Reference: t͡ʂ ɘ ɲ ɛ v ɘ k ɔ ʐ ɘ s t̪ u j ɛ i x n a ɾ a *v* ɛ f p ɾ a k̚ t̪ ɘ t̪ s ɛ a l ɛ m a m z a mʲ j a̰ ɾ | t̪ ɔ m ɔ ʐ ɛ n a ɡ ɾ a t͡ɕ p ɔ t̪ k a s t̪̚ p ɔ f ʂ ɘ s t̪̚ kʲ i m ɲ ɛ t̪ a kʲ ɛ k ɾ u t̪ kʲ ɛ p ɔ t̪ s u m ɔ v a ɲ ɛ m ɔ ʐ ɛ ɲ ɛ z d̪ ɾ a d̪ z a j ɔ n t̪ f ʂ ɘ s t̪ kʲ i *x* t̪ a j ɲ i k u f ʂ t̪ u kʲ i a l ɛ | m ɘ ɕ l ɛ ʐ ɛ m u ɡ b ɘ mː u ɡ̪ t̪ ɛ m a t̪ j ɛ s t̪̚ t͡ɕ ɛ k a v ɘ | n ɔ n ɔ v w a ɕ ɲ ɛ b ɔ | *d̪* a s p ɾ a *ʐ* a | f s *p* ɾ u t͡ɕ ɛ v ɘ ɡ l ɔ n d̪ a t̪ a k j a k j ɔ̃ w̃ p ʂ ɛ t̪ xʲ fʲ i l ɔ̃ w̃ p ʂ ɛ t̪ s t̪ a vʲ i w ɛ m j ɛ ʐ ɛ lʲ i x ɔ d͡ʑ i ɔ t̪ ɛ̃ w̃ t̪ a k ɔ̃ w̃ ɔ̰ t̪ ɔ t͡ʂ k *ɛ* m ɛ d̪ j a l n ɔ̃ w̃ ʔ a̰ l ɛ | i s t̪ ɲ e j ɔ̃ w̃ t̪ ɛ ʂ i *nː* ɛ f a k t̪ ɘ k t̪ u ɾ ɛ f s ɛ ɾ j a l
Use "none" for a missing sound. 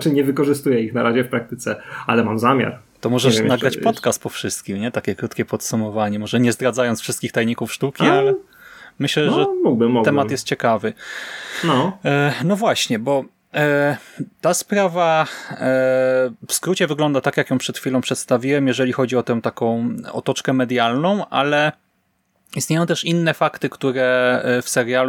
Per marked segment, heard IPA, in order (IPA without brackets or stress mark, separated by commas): ʑ, x, t̪, v, k, ɛ, nː